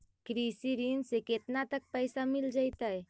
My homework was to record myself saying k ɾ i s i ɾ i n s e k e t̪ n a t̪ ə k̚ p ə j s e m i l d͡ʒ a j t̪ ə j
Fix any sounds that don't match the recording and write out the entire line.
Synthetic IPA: k ɾ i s i ɾ i n s e k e t̪ n a t̪ ə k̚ p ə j s a m i l d͡ʒ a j t̪ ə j